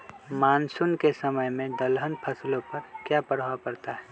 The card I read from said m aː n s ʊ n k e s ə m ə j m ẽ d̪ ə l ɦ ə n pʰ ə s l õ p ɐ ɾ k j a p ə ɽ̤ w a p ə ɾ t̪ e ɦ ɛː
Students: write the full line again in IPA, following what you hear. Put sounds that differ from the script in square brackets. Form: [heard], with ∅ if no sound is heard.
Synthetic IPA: m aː n s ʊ n k e s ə m ə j m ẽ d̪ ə l ɦ ə n pʰ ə s l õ p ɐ ɾ k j a p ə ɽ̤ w a p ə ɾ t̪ [a] ɦ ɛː